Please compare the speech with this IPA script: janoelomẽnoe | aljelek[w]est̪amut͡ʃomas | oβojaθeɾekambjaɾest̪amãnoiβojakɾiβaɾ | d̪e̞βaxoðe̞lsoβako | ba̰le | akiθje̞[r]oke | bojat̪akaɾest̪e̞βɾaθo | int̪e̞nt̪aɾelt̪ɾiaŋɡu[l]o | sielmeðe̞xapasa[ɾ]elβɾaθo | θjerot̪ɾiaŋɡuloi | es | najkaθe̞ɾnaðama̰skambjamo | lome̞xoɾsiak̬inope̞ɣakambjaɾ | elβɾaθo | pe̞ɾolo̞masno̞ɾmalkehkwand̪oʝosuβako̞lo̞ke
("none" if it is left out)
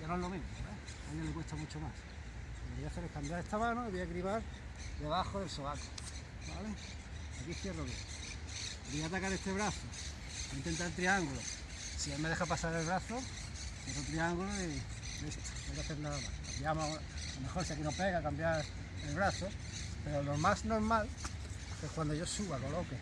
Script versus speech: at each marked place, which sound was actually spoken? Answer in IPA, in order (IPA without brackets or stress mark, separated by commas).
w, r, l, ɾ